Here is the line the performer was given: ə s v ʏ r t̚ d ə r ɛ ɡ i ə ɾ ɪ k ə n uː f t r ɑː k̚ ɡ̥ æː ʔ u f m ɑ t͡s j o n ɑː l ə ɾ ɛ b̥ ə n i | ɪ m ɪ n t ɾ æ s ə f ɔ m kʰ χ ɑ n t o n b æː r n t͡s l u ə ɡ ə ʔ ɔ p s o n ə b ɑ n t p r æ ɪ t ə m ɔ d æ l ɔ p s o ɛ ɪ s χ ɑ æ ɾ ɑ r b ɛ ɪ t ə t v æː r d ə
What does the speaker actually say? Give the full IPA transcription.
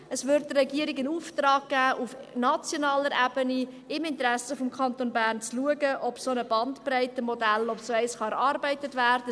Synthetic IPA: ə s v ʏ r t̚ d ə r ɛ ɡ i ə ɾ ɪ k ə n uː f t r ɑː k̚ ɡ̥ æː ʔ u f n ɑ t͡s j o n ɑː l ə ɾ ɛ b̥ ə n i | ɪ m ɪ n t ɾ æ s ə f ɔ m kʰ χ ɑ n t o n b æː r n t͡s l u ə ɡ ə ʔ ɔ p s o n ə b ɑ n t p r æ ɪ t ə m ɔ d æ l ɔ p s o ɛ ɪ s χ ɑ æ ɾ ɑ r b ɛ ɪ t ə t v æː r d ə